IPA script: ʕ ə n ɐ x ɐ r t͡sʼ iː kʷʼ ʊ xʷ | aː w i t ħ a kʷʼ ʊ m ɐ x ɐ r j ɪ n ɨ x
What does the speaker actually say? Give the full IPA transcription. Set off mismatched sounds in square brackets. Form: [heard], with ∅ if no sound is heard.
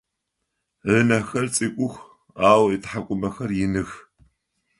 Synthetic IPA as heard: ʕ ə n ɐ x ɐ r t͡sʼ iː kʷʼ ʊ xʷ | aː w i t ħ a kʷʼ ʊ m ɐ x ɐ r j ɪ n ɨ x

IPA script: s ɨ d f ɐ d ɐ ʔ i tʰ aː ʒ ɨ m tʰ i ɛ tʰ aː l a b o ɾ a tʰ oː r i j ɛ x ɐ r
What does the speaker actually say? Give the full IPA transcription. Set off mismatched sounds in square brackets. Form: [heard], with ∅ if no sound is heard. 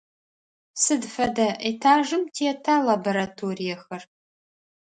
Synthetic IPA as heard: s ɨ d f ɐ d ɐ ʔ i tʰ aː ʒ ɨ m tʰ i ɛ tʰ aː l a b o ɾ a tʰ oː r i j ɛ x ɐ r

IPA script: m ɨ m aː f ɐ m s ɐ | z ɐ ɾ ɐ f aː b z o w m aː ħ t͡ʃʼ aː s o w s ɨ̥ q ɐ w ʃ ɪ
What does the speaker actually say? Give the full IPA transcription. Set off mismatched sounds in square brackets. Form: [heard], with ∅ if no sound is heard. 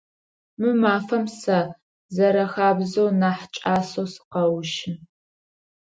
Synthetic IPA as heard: m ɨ m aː f ɐ m s ɐ | z ɐ ɾ ɐ [x] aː b z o w [n] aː ħ t͡ʃʼ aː s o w s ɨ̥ q ɐ w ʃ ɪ

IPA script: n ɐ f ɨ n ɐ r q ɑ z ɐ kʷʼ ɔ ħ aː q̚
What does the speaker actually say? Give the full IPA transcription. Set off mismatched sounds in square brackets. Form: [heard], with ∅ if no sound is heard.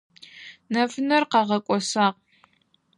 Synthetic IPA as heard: n ɐ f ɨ n ɐ r q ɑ [ʁ] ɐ kʷʼ ɔ [s] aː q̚

